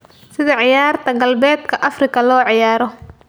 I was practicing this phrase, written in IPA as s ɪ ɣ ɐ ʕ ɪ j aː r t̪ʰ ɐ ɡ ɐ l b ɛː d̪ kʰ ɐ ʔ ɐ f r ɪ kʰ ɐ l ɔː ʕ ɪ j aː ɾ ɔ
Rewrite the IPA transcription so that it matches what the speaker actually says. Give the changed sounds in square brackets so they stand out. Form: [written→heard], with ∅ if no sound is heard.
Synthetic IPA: s ɪ [ɣ→ð] ɐ ʕ ɪ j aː r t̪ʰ ɐ ɡ ɐ l b ɛː d̪ kʰ ɐ ʔ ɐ f r ɪ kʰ ɐ l ɔː ʕ ɪ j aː ɾ ɔ